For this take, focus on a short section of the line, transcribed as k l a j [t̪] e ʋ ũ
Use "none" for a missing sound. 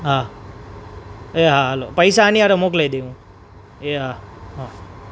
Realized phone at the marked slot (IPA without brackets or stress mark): d̪